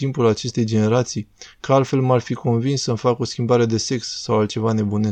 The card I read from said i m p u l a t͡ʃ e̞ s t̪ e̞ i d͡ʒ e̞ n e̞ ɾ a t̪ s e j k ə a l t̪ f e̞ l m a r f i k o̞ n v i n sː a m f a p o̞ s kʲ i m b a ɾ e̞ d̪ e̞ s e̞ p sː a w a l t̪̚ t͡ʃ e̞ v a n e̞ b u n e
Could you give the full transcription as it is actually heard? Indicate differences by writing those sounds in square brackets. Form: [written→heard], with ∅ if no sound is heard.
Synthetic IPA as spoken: i m p u l a t͡ʃ e̞ s t̪ e̞ [i→j] d͡ʒ e̞ n e̞ ɾ a t̪ s [e→i] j k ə a l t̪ f e̞ l m a r f i k o̞ n v i n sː [a→ə] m f a [p→k] o̞ s kʲ i m b a ɾ e̞ d̪ e̞ s e̞ [p→k] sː a w a l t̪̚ t͡ʃ e̞ v a n e̞ b u n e